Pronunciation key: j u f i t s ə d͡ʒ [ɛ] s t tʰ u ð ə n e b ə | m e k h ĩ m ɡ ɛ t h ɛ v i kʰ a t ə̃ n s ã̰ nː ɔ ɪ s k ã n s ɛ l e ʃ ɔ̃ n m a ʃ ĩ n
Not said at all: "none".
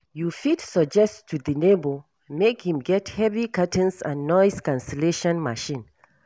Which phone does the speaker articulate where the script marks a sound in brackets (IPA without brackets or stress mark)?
ɛ